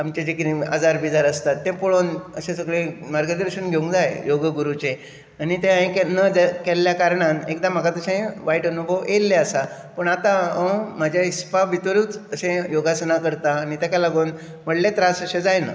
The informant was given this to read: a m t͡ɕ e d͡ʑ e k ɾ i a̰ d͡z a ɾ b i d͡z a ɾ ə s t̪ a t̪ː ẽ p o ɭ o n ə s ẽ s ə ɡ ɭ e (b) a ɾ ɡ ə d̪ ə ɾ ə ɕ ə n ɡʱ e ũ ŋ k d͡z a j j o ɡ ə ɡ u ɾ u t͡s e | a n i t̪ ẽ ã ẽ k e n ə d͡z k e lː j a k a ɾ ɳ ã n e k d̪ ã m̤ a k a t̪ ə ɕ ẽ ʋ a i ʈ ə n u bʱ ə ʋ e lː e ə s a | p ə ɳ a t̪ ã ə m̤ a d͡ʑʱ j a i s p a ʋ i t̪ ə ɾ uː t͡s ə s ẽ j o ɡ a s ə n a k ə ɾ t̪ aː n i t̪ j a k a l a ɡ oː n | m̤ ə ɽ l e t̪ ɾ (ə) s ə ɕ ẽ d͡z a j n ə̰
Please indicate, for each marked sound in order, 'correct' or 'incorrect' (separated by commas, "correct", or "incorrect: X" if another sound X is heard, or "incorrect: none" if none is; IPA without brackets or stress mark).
incorrect: m, incorrect: a